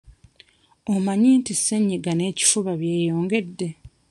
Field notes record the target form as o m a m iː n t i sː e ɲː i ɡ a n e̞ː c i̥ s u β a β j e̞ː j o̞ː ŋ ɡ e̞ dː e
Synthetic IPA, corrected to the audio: o m a ɲ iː n t i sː e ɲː i ɡ a n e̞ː c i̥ f u β a β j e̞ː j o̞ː ŋ ɡ e̞ dː e